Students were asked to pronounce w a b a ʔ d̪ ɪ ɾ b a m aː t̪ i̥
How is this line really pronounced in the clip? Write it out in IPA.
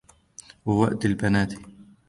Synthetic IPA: w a w a ʔ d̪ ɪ l b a n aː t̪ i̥